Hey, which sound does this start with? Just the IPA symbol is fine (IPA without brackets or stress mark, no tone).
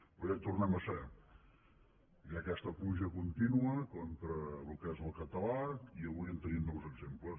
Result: p